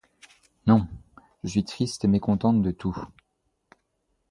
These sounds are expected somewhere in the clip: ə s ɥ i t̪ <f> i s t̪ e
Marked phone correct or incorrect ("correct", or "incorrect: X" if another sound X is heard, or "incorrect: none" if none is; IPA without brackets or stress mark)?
incorrect: χ